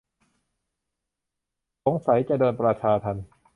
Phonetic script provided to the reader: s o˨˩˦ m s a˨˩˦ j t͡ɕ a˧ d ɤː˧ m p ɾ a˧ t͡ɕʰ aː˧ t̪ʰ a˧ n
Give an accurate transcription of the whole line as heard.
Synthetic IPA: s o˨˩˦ ŋ s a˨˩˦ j t͡ɕ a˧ d ɤː˧ n p ɾ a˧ t͡ɕʰ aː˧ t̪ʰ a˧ n